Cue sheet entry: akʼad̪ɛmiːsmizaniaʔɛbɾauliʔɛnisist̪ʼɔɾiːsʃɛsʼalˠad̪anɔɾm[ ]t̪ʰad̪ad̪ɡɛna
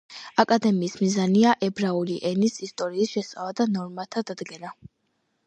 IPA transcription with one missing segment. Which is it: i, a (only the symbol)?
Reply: a